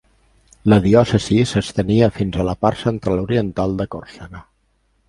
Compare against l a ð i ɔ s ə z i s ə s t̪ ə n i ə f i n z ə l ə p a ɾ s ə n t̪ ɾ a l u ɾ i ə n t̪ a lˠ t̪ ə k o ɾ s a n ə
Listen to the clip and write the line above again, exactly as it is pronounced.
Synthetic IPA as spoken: l ə ð i ɔ s ə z i s ə s t̪ ə n i ə f i n z ə l ə p a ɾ s ə n t̪ ɾ a l u ɾ i ə n t̪ a lˠ d̪ ə k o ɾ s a n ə